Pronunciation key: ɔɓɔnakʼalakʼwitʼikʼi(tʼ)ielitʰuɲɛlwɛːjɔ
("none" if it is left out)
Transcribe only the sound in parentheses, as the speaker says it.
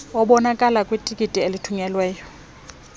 tʼ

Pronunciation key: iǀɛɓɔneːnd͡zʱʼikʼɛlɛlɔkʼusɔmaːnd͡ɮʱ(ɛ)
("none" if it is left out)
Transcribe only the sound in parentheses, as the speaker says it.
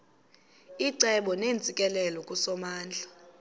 a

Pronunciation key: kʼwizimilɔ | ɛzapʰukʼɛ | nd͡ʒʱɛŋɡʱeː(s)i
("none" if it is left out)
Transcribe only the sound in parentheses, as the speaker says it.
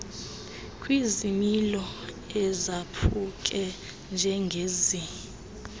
z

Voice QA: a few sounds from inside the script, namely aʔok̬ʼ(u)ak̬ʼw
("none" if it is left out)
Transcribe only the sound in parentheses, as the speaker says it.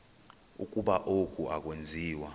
u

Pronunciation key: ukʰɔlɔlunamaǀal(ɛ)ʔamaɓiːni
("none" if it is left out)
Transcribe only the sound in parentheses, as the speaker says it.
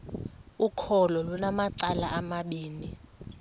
a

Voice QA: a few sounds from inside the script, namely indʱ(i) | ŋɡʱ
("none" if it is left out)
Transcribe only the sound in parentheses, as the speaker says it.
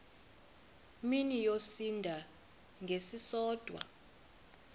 a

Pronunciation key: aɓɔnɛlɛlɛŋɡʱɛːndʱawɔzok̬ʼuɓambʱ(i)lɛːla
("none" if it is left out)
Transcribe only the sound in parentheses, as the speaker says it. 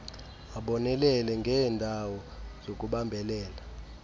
ɛ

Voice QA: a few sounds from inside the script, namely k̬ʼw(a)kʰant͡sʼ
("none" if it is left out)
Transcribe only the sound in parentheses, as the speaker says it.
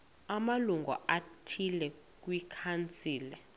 i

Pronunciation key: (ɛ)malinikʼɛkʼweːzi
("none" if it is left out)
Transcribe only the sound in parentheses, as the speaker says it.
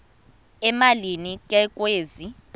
ɛ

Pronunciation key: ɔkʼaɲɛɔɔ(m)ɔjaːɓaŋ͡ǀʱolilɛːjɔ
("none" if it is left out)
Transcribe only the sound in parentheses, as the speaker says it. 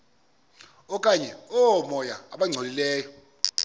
m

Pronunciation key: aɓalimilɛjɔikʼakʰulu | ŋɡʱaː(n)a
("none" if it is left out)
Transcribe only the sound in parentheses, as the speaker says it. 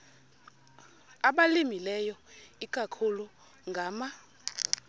m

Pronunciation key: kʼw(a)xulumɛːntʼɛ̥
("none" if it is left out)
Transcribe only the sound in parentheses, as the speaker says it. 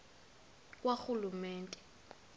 a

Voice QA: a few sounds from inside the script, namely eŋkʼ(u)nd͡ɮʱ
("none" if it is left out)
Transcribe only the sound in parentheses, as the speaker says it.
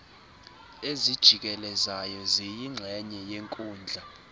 uː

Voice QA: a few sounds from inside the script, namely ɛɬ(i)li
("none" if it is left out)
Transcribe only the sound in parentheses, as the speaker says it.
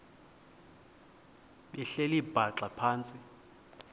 e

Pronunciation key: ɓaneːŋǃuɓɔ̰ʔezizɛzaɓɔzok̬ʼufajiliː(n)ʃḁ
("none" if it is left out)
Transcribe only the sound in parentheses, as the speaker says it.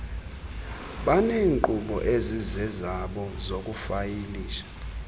none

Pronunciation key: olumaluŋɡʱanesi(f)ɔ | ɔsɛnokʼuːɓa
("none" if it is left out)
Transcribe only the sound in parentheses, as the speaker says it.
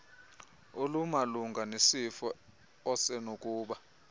f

